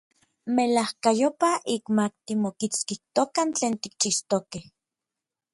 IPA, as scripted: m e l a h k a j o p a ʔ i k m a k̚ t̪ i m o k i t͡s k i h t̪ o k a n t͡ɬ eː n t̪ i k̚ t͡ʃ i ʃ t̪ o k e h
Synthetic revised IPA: m e l a h k a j o p a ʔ i k m a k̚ t̪ i m o k i t͡s k i h t̪ o k a n t͡ɬ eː n t̪ i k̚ t͡ʃ i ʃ t̪ o k e h